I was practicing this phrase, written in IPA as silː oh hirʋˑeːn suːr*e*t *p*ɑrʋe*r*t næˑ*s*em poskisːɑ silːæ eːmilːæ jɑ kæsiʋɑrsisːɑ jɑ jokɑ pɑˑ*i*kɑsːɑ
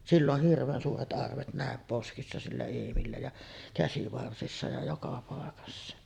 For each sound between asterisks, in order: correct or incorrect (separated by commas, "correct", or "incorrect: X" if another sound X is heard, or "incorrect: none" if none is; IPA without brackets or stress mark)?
correct, incorrect: ʔ, incorrect: none, incorrect: none, incorrect: e